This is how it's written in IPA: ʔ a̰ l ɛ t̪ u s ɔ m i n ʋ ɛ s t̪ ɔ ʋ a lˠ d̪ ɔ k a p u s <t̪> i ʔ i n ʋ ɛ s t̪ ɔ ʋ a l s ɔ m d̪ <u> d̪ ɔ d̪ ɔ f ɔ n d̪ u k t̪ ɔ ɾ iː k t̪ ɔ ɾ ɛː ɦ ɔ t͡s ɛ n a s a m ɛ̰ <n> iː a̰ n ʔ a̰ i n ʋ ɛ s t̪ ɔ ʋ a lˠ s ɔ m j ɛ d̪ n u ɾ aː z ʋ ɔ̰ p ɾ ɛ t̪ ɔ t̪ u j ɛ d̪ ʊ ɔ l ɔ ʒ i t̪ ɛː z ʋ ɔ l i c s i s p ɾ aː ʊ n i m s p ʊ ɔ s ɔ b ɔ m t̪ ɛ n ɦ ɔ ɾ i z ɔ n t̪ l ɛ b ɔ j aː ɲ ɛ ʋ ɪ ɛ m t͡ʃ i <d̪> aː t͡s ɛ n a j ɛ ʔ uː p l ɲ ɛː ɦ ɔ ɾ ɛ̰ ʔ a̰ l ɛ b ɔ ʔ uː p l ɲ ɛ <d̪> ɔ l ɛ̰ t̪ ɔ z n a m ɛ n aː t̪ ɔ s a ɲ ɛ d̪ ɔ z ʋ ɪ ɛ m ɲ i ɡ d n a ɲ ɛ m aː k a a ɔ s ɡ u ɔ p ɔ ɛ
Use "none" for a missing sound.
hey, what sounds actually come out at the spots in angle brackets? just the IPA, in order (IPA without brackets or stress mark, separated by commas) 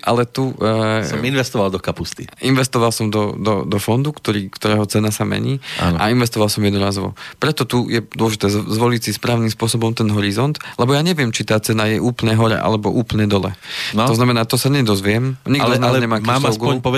t̪, ɔ, ɲ, t̪, d̪